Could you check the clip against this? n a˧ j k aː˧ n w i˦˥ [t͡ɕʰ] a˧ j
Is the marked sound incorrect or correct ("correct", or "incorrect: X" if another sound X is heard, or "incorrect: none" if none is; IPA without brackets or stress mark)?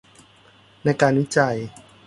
incorrect: t͡ɕ